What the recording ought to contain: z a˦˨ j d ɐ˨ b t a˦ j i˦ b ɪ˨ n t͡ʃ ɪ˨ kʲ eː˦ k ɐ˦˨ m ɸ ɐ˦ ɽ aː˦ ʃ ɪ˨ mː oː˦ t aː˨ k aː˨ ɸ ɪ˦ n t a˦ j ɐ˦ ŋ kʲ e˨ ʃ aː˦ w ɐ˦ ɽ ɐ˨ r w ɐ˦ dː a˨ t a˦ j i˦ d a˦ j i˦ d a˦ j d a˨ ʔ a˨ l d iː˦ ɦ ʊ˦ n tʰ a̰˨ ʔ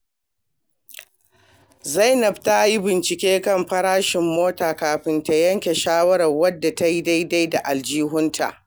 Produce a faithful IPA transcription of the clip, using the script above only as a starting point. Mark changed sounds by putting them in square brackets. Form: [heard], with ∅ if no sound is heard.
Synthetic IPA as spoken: z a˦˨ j [n] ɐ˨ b t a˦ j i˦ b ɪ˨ n t͡ʃ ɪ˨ kʲ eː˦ k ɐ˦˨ m ɸ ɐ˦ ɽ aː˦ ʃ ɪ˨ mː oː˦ t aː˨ k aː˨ ɸ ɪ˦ n t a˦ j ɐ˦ ŋ kʲ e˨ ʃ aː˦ w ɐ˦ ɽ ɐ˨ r w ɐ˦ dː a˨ t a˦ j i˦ d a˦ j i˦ d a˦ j d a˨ ʔ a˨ l [d͡ʒ] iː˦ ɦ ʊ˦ n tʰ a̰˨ ʔ